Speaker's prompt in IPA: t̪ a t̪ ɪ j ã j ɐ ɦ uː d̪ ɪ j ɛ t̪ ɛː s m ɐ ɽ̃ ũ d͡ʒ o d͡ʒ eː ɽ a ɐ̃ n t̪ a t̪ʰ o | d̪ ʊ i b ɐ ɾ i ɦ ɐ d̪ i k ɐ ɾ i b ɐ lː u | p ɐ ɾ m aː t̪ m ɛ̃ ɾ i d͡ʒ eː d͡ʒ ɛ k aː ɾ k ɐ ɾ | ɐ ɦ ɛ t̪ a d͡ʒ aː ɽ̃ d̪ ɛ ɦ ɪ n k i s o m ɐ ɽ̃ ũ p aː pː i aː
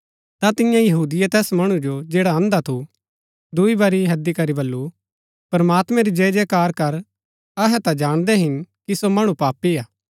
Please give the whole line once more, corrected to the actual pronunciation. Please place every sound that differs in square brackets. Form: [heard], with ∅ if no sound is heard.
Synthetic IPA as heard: t̪ a t̪ ɪ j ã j ɐ ɦ uː d̪ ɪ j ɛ t̪ ɛː s m ɐ ɽ̃ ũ d͡ʒ o d͡ʒ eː ɽ a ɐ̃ n [d̪] a t̪ʰ [u] | d̪ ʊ i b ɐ ɾ i ɦ ɐ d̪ i k ɐ ɾ i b ɐ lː u | p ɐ ɾ m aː t̪ m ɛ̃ ɾ i d͡ʒ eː d͡ʒ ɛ k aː ɾ k ɐ ɾ | ɐ ɦ ɛ t̪ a d͡ʒ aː ɽ̃ d̪ ɛ ɦ ɪ n k i s o m ɐ ɽ̃ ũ p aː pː i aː